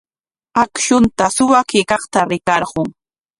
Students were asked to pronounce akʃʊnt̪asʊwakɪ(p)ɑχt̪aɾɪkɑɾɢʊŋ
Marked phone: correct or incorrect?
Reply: incorrect